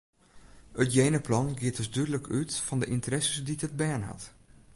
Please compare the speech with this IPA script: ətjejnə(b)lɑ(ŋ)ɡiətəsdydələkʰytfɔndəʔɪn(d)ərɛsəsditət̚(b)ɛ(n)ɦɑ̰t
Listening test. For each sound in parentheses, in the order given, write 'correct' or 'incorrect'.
incorrect: p, incorrect: n, incorrect: t, correct, correct

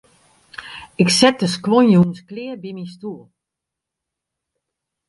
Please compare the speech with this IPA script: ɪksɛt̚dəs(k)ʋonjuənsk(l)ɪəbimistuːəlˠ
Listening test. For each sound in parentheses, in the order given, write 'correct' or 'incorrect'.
correct, correct

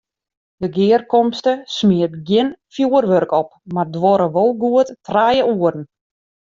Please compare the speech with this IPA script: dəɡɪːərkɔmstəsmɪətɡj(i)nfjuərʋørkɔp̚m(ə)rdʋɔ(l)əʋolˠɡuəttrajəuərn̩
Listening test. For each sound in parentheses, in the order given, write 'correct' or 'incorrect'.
incorrect: ɪ, incorrect: a, incorrect: ɾ

